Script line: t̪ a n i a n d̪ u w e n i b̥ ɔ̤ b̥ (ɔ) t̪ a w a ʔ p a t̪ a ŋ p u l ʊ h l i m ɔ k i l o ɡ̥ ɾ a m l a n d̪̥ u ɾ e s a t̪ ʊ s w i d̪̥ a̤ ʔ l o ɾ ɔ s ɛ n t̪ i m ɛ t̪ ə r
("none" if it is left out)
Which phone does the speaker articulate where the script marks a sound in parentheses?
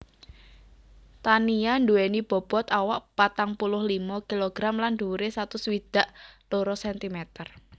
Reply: ɔ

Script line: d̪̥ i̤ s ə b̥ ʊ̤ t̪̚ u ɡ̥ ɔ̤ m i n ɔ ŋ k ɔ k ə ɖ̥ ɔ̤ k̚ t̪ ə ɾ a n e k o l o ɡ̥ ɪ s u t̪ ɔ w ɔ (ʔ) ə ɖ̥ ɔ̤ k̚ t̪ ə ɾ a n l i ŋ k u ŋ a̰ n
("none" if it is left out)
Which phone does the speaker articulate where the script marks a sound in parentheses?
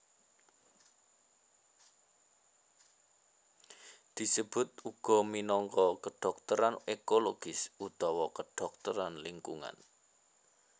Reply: k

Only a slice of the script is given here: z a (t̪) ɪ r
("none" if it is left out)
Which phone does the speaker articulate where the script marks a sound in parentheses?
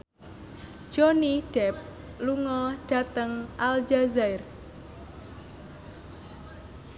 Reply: none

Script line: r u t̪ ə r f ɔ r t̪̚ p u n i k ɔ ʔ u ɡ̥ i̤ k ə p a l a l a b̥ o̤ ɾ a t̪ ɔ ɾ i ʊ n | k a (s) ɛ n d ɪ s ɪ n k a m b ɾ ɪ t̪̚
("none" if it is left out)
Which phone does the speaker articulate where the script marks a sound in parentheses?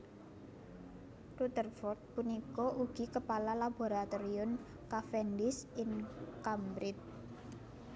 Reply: f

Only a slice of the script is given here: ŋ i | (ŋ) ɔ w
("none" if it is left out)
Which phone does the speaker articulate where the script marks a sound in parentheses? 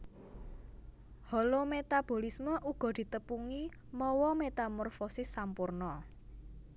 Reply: m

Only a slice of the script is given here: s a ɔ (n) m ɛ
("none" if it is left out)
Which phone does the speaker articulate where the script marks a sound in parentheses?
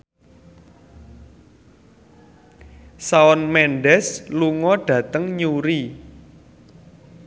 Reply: n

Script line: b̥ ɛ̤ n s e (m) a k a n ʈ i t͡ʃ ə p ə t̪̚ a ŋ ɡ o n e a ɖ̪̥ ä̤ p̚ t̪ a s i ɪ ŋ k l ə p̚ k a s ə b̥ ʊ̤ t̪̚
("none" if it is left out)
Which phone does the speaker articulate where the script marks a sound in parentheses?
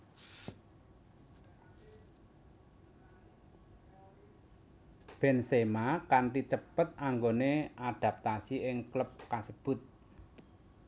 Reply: m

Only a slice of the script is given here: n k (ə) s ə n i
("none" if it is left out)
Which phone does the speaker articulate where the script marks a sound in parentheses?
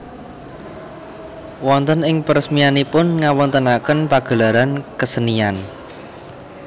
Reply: ə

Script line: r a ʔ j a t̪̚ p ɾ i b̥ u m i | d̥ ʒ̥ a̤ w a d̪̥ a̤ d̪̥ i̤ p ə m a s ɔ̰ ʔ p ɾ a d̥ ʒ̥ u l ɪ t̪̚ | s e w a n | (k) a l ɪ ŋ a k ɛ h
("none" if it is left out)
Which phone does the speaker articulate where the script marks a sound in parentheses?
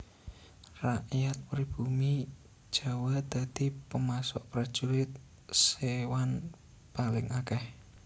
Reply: p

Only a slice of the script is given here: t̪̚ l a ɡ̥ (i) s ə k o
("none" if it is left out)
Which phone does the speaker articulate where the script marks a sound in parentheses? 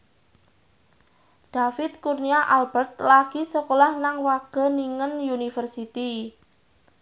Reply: i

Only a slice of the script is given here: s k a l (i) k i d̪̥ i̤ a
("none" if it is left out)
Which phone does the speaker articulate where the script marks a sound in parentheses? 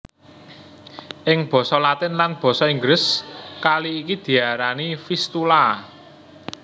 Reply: iː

